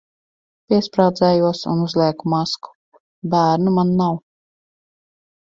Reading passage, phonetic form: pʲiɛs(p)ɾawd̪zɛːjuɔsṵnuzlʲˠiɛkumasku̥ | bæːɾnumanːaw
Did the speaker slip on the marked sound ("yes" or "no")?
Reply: no